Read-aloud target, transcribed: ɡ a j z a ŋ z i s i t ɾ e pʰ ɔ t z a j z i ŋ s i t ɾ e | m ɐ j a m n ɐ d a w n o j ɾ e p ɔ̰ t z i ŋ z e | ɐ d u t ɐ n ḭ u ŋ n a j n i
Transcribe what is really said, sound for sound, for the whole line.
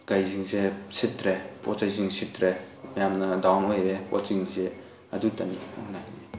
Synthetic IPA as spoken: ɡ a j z i ŋ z e s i t ɾ e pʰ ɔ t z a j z i ŋ s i t ɾ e | m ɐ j a m n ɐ d a w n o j ɾ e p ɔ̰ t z i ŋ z e | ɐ d u t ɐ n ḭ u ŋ n a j n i